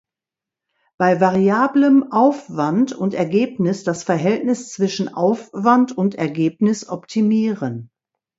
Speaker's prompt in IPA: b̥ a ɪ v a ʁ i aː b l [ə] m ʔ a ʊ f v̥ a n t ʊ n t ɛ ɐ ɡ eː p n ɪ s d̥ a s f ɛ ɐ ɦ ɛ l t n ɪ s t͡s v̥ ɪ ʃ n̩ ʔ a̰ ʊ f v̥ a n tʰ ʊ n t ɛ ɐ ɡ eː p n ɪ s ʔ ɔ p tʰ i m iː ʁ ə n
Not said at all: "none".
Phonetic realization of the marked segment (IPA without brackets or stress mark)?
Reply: ə